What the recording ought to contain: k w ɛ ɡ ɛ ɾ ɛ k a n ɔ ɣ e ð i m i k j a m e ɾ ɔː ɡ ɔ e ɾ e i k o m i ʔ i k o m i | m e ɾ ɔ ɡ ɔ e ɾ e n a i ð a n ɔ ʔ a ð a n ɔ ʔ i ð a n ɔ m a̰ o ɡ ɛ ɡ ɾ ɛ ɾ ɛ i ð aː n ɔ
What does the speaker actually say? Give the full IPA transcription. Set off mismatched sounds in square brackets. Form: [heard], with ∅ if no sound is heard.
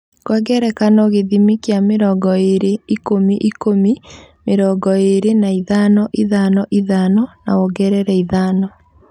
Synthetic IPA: k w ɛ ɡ ɛ ɾ ɛ k a n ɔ ɣ e ð i m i k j a m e ɾ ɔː ɡ ɔ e ɾ e i k o m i ʔ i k o m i | m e ɾ ɔ ɡ ɔ e ɾ e n a i ð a n ɔ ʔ [i] ð a n ɔ ʔ i ð a n ɔ [n] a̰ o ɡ ɛ [∅] ɾ ɛ ɾ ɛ i ð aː n ɔ